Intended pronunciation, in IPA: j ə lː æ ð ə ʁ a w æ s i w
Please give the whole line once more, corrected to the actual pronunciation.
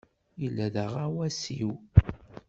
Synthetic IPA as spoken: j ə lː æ ð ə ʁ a w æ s i w